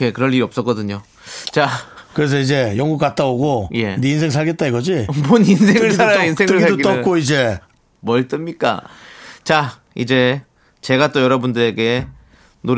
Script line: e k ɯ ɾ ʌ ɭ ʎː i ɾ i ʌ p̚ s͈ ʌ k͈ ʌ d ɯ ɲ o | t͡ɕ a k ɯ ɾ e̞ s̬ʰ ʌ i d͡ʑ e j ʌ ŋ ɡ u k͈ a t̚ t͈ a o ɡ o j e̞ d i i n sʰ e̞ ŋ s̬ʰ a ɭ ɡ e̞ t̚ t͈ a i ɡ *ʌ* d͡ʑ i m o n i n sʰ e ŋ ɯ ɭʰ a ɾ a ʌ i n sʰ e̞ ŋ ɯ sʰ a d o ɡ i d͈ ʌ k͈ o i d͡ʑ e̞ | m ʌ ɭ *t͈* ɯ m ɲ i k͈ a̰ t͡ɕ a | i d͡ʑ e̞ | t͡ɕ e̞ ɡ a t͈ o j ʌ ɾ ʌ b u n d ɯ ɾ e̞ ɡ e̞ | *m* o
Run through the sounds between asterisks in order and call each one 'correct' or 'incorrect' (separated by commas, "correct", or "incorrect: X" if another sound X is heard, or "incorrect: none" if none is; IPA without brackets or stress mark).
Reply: correct, correct, incorrect: n